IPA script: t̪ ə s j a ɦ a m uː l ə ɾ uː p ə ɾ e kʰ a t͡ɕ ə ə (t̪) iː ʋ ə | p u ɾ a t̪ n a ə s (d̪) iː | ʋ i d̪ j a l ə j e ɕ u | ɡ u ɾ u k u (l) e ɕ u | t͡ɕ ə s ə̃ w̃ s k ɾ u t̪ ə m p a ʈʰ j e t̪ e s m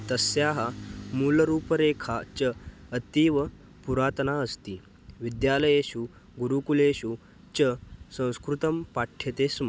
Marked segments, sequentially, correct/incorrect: correct, incorrect: t̪, correct

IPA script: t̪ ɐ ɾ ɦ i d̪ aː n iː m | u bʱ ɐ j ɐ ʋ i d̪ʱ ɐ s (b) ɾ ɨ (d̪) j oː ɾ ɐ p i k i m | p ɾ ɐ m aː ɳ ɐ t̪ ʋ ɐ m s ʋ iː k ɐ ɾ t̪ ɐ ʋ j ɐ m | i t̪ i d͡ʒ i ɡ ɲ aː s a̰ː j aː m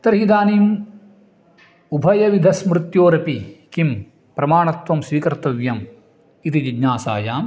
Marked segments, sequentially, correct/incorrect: incorrect: m, incorrect: t̪

